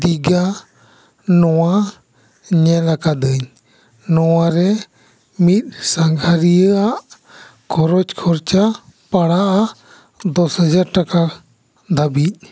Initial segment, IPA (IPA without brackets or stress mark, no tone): d̪